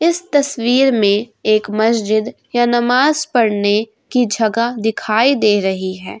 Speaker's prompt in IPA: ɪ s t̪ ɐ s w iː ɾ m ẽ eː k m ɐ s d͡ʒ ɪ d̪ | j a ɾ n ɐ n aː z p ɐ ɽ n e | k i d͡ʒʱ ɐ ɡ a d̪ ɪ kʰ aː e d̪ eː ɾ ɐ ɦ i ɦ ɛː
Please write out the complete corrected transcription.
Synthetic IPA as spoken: ɪ s t̪ ɐ s w iː ɾ m ẽ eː k m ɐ s d͡ʒ ɪ d̪ | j a n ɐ m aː z p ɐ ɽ n e | k i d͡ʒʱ ɐ ɡ a d̪ ɪ kʰ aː i d̪ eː ɾ ɐ ɦ i ɦ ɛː